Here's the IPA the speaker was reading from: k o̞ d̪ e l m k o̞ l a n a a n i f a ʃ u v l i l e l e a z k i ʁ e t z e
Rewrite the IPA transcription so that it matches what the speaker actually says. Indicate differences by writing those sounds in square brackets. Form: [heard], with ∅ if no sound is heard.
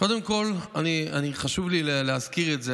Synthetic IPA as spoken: k o̞ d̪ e [∅] m k o̞ l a n [i] a n i [χ] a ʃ u v l i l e l e a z k i ʁ e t z e